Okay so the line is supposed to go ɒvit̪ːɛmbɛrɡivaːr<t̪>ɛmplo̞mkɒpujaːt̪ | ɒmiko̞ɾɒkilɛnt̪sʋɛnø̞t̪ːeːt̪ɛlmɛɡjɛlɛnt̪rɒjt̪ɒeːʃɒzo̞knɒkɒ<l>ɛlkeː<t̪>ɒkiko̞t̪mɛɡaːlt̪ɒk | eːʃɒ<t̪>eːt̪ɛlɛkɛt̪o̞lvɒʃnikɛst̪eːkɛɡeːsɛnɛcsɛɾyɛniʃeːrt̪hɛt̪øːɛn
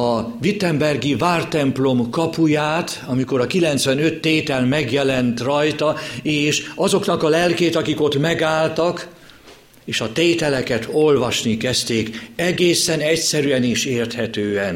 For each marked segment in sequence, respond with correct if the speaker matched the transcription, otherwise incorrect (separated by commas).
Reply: correct, correct, correct, correct